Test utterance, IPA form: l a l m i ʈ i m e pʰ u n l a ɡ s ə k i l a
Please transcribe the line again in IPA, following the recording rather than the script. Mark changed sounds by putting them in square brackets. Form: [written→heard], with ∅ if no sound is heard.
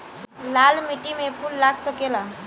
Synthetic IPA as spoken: l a l m i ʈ i m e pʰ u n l a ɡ s ə k [i→e] l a